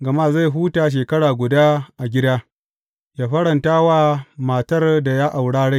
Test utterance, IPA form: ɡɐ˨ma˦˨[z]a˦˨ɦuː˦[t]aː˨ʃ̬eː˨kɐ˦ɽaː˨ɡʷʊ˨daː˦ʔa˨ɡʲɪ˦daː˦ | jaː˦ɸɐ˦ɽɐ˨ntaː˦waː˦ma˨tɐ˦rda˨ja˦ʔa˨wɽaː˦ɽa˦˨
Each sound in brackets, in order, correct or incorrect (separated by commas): correct, correct